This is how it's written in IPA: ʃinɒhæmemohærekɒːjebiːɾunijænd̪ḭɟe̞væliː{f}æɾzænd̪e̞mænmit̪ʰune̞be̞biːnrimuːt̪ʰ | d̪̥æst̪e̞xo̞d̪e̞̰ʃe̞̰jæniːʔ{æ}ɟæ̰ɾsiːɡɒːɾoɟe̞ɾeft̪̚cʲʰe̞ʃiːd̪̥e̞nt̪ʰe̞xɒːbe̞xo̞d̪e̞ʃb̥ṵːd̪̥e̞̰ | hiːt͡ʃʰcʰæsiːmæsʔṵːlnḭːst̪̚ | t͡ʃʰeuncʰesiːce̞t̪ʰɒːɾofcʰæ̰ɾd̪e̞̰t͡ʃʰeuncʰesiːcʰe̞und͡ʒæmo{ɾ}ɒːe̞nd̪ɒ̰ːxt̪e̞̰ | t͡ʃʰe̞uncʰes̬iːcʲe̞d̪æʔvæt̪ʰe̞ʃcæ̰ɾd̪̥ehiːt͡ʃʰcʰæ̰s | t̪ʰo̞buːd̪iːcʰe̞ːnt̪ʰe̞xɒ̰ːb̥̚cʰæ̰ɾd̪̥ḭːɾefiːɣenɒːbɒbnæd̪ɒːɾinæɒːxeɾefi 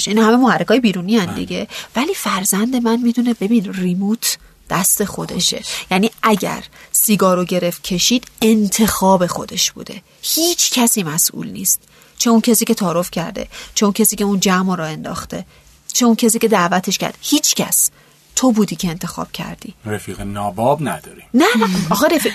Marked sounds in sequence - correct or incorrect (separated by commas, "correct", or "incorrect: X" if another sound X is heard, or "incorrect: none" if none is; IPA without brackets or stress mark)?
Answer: correct, correct, correct